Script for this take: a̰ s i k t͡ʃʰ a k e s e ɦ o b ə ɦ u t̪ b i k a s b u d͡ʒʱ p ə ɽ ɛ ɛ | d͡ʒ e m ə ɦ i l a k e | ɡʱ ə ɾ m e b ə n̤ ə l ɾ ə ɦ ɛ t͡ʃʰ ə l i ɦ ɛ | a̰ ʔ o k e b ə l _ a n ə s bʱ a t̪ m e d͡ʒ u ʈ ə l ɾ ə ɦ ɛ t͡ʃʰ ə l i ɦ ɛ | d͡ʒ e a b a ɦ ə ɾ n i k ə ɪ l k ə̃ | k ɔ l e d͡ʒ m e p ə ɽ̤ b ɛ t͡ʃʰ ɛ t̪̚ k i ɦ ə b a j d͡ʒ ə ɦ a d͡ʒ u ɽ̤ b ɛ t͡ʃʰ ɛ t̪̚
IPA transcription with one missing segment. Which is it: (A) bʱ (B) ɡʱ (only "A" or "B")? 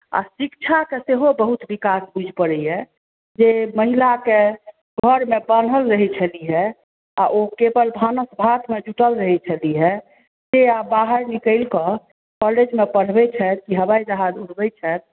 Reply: A